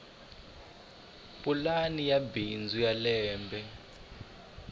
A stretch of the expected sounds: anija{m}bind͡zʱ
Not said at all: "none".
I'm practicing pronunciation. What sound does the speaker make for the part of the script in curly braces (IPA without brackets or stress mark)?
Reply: none